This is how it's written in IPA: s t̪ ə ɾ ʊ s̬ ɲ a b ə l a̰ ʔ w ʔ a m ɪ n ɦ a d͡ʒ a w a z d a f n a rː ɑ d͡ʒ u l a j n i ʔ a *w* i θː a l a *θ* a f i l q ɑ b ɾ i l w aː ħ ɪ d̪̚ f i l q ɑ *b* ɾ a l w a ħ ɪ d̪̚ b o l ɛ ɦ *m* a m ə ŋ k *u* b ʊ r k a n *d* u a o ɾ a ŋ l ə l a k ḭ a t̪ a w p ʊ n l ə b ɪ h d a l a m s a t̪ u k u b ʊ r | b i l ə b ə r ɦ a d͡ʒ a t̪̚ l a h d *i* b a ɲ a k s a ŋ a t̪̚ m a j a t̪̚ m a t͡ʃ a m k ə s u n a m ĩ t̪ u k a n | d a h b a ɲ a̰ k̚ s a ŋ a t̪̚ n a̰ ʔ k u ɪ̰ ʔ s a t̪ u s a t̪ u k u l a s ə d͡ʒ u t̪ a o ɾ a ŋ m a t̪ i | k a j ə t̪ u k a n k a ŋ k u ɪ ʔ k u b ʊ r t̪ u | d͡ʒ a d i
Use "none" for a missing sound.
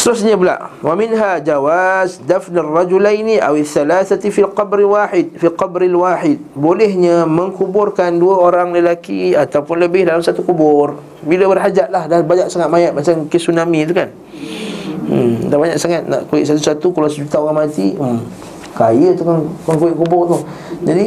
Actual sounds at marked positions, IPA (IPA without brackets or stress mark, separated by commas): w, θ, b, ɲ, u, d, a